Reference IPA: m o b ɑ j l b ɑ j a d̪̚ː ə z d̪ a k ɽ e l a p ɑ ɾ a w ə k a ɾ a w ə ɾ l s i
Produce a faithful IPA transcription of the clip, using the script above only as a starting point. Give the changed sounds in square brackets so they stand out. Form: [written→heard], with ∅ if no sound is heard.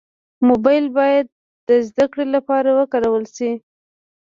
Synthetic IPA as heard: m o b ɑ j l b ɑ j a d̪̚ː ə z d̪ a k ɽ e l a p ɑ ɾ a w ə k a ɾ a w ə [ɾ→∅] l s i